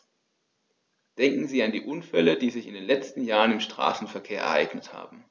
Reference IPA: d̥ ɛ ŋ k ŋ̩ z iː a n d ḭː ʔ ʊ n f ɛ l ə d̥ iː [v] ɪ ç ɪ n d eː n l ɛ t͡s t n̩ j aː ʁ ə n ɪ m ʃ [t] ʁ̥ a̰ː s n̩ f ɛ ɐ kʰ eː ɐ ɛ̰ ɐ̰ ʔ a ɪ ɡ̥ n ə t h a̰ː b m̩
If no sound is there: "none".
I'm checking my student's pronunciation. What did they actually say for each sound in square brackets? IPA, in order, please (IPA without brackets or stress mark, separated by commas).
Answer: z, t